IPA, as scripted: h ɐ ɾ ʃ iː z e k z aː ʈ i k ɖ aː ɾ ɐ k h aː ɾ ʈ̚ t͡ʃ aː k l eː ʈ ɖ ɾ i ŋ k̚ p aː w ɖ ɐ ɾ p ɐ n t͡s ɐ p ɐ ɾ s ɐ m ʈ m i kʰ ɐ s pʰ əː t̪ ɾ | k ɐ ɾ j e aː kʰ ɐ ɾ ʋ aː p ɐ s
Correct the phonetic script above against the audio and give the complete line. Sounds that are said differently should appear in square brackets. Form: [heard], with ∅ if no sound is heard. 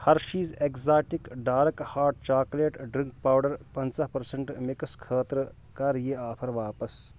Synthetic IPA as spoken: h ɐ ɾ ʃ iː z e k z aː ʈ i k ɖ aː ɾ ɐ k h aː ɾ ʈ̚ t͡ʃ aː k l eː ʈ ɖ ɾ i ŋ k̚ p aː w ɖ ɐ ɾ p ɐ n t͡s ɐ p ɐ ɾ s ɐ [ɳ] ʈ m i [k] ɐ s [kʰ] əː t̪ ɾ | k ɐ ɾ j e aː [pʰ] ɐ ɾ ʋ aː p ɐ s